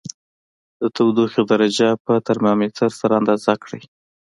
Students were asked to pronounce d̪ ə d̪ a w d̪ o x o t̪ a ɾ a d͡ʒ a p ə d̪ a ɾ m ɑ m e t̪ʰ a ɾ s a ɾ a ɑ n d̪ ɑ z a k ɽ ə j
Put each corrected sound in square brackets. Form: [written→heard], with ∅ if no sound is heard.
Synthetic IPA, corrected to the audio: d̪ ə [d̪→t̪] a w d̪ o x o [t̪→d̪] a ɾ a d͡ʒ a p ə [d̪→t̪] a ɾ m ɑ m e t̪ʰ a ɾ s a ɾ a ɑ n d̪ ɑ z a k ɽ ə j